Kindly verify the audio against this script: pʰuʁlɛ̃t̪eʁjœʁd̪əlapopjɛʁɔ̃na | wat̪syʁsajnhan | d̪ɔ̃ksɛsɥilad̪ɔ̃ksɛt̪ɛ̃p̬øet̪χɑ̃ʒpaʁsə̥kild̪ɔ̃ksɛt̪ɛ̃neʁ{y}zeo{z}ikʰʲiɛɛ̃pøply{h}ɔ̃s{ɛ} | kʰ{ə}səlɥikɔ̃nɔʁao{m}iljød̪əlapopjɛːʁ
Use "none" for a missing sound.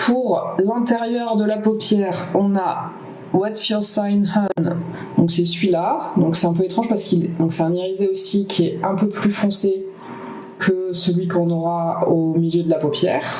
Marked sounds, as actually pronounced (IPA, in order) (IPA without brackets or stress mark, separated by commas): i, s, f, e, ə, m